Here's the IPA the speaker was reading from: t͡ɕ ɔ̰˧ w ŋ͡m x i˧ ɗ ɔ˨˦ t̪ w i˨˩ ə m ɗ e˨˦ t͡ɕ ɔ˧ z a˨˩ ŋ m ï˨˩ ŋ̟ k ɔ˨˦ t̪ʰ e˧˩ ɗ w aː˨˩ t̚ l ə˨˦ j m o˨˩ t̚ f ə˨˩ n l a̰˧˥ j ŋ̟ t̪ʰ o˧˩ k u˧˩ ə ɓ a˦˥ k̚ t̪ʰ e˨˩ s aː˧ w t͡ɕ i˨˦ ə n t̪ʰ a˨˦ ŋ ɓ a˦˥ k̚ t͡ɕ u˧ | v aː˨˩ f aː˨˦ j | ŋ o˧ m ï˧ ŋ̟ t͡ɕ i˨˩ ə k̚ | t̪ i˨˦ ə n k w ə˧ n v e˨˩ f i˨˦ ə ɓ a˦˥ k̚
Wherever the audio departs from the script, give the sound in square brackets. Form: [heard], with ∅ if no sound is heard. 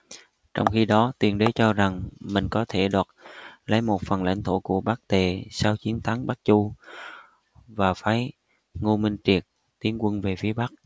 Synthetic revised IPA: t͡ɕ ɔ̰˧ w ŋ͡m x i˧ ɗ ɔ˨˦ t̪ w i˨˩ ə [n] ɗ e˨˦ t͡ɕ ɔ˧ z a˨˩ ŋ m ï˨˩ ŋ̟ k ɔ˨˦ t̪ʰ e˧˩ ɗ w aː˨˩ t̚ l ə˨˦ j m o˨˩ t̚ f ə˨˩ n l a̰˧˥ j ŋ̟ t̪ʰ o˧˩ k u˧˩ ə ɓ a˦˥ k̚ [t̪] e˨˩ s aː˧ w t͡ɕ i˨˦ ə n t̪ʰ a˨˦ ŋ ɓ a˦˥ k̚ t͡ɕ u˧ | v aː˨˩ f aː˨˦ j | ŋ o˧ m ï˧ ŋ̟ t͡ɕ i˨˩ ə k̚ | t̪ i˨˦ ə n k w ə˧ n v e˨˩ f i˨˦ ə ɓ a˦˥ k̚